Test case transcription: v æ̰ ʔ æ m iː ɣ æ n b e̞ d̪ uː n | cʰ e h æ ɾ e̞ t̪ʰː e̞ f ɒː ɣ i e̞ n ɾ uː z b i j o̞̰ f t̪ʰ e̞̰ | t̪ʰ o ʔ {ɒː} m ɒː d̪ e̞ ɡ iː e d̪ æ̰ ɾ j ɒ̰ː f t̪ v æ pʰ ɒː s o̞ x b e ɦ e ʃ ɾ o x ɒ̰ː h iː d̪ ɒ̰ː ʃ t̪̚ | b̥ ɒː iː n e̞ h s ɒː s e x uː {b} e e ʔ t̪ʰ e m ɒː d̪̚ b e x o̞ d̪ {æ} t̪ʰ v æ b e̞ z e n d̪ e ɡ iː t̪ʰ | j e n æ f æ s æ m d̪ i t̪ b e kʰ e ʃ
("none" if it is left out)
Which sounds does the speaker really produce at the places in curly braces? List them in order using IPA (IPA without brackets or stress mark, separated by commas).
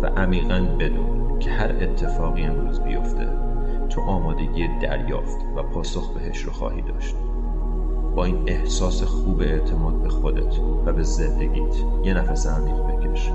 ɒː, b, e